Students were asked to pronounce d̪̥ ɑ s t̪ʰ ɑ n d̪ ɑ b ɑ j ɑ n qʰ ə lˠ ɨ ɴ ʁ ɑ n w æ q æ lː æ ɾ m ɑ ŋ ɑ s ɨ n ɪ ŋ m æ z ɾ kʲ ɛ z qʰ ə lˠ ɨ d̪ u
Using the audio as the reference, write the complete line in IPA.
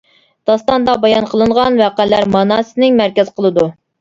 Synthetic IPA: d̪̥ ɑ s t̪ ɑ n d̪ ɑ b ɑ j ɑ n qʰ ə lˠ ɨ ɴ ʁ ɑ n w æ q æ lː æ ɾ m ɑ n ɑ s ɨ n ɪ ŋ m æ ɾ kʲ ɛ z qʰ ə lˠ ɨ d̪ u

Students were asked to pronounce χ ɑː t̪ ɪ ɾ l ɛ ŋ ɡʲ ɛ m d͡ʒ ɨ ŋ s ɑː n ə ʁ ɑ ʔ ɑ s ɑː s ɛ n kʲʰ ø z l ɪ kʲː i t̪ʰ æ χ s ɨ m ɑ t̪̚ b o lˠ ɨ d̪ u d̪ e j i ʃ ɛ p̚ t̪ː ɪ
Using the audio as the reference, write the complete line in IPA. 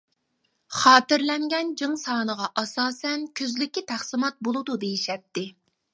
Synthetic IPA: χ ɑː t̪ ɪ ɾ l ɛ ŋ ɡʲ ɛ n d͡ʒ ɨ ŋ s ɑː n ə ʁ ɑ ʔ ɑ s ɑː s ɛ n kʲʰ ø z l ɪ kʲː i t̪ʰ æ χ s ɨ m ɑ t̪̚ b o lˠ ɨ d̪ u d̪ e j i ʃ ɛ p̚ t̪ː ɪ

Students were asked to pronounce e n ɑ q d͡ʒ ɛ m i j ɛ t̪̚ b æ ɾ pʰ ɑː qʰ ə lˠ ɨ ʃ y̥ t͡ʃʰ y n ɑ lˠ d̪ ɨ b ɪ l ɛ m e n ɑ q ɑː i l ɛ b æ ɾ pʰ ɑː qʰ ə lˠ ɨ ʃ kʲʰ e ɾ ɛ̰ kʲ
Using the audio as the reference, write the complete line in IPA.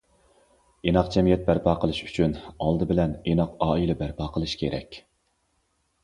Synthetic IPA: e n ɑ q d͡ʒ ɛ m i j ɛ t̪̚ b æ ɾ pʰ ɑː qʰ ə lˠ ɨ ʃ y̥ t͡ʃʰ y n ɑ lˠ d̪ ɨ b ɪ l ɛ n e n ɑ q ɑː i l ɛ b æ ɾ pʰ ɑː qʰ ə lˠ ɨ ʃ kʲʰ e ɾ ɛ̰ kʲ

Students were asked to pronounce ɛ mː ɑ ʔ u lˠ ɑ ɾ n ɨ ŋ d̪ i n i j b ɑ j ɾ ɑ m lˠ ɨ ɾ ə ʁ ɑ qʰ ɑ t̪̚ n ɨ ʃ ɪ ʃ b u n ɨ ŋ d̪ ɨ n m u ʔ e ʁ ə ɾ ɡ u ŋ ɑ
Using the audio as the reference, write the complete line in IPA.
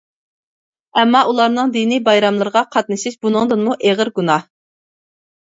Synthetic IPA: ɛ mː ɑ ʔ u lˠ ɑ ɾ n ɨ ŋ d̪ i n i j b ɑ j ɾ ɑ m lˠ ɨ ɾ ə ʁ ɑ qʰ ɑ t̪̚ n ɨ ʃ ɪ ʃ b u n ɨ ŋ d̪ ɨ n m u ʔ e ʁ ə ɾ ɡ u n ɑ

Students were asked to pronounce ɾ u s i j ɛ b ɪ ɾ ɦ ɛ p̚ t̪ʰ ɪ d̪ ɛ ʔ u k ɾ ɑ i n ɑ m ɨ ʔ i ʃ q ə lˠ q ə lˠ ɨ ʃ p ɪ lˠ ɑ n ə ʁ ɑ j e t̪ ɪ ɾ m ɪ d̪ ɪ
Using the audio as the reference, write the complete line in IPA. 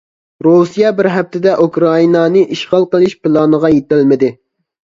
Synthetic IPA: ɾ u s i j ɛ b ɪ ɾ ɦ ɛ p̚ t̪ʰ ɪ d̪ ɛ ʔ u k ɾ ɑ i n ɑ n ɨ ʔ i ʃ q ɑ lˠ q ə lˠ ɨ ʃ p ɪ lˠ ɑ n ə ʁ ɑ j e t̪ ɪ l m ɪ d̪ ɪ

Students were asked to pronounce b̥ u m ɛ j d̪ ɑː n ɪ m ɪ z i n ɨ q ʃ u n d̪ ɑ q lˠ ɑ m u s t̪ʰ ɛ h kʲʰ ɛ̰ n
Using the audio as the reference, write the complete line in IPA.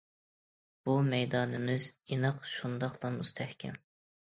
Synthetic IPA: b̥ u m ɛ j d̪ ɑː n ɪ m ɪ z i n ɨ q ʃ u n d̪ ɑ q lˠ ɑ m u s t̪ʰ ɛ h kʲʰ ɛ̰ m

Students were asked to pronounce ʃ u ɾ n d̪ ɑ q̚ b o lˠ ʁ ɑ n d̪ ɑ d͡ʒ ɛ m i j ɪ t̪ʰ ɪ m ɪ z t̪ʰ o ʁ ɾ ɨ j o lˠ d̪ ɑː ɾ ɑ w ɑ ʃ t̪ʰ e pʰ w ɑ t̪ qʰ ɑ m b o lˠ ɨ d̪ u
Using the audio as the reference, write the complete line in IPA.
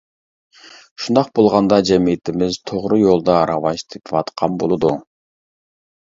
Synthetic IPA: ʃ u n d̪ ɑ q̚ b o lˠ ʁ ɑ n d̪ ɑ d͡ʒ ɛ m i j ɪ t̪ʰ ɪ m ɪ z t̪ʰ o ʁ ɾ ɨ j o lˠ d̪ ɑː ɾ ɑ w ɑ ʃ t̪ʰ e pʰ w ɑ t̪ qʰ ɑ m b o lˠ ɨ d̪ u

